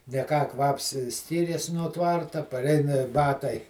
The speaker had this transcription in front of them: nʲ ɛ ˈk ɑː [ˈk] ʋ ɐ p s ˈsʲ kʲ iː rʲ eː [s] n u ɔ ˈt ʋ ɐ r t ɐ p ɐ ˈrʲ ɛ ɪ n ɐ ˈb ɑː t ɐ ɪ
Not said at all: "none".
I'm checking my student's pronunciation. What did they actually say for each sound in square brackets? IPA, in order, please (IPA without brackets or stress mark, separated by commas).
k, s